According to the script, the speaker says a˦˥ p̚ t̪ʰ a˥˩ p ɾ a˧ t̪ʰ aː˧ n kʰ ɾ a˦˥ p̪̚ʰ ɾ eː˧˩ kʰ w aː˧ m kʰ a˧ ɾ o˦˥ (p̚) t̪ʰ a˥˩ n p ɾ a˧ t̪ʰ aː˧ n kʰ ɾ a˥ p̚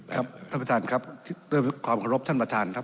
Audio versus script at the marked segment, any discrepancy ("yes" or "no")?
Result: no